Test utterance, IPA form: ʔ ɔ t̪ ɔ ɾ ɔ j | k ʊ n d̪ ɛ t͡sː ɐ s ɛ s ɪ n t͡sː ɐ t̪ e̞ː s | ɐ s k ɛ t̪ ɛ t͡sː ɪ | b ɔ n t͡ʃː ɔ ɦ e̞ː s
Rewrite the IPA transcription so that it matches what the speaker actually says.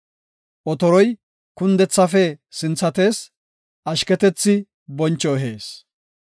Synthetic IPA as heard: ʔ ɔ t̪ ɔ ɾ ɔ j | k ʊ n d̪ ɛ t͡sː ɐ f ɛ s ɪ n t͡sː ɐ t̪ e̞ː s | ɐ ʃ k ɛ t̪ ɛ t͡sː ɪ | b ɔ n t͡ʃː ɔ ɦ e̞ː s